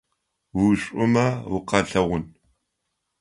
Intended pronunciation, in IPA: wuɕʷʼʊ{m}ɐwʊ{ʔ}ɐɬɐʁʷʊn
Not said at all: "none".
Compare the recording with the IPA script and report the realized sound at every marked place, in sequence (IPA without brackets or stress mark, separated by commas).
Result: m, q